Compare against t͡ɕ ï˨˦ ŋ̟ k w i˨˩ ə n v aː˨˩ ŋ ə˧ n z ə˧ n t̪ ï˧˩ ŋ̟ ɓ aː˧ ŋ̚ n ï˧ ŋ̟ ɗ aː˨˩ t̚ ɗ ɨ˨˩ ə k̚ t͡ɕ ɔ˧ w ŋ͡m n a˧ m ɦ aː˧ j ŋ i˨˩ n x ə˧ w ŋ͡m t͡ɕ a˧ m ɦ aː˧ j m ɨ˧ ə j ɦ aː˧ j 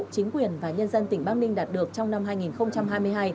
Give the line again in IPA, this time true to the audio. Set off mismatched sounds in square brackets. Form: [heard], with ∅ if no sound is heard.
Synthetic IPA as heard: t͡ɕ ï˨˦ ŋ̟ k w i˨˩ ə n v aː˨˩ [ɲ] ə˧ n z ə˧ n t̪ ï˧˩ ŋ̟ ɓ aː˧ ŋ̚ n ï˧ ŋ̟ ɗ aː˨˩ t̚ ɗ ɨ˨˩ ə k̚ t͡ɕ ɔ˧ w ŋ͡m n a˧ m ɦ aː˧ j ŋ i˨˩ n x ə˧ w ŋ͡m t͡ɕ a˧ m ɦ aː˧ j m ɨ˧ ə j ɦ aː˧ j

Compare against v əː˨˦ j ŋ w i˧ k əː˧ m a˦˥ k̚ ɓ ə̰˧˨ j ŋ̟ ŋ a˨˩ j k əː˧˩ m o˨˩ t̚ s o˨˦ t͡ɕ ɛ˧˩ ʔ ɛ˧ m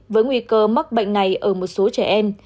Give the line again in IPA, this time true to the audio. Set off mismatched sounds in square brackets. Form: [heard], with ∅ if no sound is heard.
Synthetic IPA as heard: v əː˨˦ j ŋ w i˧ k əː˧ m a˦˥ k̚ ɓ ə̰˧˨ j ŋ̟ [n] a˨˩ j [ʔ] əː˧˩ m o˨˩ t̚ s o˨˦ t͡ɕ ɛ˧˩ ʔ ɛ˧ m

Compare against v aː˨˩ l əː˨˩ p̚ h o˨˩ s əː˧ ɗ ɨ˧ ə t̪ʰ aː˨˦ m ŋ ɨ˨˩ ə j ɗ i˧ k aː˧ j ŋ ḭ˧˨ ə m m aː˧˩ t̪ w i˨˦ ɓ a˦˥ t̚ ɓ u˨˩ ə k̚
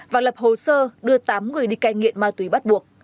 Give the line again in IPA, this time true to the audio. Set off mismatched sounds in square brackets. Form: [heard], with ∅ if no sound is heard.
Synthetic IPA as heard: v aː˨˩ l [ə˨˩] p̚ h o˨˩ s əː˧ ɗ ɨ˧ ə [t̪] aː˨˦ m ŋ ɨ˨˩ ə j ɗ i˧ k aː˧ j ŋ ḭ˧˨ ə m m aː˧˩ t̪ w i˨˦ ɓ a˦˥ t̚ ɓ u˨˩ ə k̚

